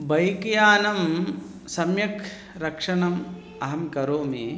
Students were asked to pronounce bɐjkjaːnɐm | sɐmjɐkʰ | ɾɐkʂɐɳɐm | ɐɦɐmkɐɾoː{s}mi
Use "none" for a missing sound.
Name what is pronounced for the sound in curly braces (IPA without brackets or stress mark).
none